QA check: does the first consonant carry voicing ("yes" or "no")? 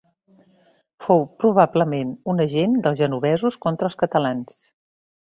no